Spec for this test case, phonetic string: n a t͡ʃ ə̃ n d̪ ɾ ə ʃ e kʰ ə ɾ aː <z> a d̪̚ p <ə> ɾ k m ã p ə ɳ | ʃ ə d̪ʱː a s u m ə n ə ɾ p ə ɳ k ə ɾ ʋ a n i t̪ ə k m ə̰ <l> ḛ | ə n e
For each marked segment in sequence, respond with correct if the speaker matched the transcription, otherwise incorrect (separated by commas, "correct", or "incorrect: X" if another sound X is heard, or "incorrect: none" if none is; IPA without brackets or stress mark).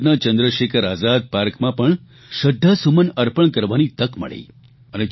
correct, incorrect: a, incorrect: ɭ